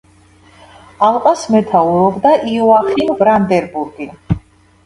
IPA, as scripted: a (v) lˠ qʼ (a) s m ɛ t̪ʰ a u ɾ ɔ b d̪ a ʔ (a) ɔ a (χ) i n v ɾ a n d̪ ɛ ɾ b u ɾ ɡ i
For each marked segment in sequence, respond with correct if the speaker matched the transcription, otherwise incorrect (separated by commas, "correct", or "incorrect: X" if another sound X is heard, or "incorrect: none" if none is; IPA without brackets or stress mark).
incorrect: none, correct, incorrect: i, correct